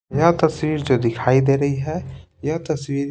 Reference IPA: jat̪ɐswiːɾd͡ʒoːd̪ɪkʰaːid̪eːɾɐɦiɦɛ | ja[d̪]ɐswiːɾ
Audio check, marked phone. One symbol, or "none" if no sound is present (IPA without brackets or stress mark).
t̪